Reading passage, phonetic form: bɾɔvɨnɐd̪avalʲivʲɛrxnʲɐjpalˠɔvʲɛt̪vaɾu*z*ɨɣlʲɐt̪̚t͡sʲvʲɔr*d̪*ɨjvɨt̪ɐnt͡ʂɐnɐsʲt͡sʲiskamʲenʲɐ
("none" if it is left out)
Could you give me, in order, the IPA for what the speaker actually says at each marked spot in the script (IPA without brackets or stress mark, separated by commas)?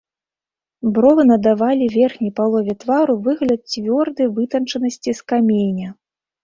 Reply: v, d̪